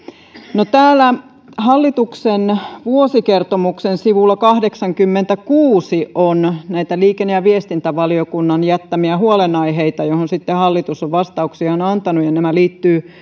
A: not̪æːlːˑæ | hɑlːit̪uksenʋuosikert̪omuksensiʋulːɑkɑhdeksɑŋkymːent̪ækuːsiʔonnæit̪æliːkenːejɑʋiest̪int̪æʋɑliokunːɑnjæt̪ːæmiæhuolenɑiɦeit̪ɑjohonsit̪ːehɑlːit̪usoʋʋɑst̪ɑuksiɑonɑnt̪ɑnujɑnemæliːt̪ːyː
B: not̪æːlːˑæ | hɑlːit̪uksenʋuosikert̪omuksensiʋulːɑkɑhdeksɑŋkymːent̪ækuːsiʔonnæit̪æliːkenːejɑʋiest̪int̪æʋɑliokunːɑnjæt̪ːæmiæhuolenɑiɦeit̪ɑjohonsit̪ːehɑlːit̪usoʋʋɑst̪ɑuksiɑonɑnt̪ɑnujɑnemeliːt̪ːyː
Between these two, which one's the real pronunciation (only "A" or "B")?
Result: A